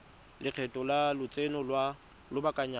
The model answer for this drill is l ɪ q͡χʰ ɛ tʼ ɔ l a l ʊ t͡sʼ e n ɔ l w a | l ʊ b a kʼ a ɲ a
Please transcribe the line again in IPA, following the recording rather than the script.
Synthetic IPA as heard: l ɪ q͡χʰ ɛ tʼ ɔ l a l ʊ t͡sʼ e n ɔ l w a | l ʊ b a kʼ a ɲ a